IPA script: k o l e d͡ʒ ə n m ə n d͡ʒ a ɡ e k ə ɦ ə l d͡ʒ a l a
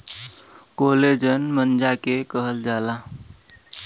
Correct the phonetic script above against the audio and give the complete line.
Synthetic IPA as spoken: k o l e d͡ʒ ə n m ə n d͡ʒ a k e k ə ɦ ə l d͡ʒ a l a